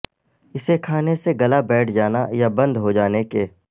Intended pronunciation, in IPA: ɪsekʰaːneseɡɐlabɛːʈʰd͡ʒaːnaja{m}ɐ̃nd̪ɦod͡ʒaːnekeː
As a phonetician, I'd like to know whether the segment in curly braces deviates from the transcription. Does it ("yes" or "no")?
yes